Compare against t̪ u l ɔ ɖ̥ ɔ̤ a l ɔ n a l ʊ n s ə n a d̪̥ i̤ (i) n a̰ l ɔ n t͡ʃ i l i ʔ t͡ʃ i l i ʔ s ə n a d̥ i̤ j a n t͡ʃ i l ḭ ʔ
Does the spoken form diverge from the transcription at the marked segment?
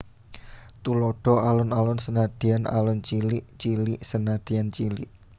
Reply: yes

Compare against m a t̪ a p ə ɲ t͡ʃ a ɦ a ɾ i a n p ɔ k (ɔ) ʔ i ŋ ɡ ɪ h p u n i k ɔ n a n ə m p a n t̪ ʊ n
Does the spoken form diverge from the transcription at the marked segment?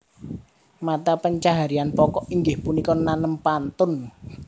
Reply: no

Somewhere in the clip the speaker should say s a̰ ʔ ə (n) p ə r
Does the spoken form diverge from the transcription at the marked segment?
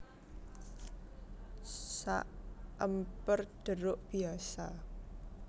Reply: yes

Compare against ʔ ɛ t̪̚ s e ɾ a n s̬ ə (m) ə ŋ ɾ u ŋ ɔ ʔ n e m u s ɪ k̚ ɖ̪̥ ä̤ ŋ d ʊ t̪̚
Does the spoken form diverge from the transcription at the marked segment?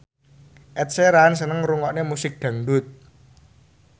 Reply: yes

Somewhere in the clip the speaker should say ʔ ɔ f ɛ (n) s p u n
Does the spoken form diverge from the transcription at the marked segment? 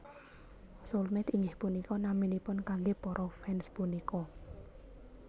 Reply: no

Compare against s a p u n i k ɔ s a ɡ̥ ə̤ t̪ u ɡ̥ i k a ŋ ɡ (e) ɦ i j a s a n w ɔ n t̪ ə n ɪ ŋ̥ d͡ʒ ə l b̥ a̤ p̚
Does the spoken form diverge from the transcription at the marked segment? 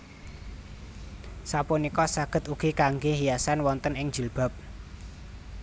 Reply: no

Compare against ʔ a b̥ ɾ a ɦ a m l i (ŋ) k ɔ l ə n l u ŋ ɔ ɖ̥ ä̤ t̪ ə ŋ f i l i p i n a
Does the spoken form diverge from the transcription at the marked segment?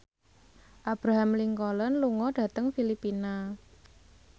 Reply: no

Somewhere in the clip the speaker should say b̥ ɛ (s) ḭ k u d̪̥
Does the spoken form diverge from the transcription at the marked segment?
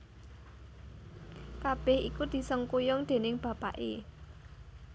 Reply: yes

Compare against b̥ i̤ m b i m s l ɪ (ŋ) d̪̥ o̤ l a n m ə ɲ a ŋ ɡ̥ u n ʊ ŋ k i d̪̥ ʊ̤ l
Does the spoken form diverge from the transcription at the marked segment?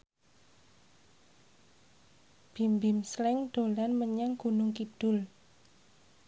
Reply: no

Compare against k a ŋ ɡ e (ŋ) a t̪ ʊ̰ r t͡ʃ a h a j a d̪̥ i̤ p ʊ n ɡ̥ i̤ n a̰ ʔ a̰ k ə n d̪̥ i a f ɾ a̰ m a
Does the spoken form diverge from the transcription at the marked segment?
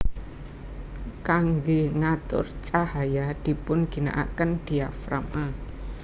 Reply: no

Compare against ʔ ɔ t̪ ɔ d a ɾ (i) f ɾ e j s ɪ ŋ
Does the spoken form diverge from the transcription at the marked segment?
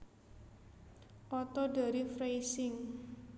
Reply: no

